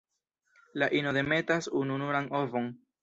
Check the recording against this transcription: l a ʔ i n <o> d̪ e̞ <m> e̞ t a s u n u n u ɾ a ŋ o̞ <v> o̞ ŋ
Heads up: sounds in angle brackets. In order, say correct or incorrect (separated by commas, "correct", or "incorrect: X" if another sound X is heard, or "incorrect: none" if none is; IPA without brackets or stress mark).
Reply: correct, correct, correct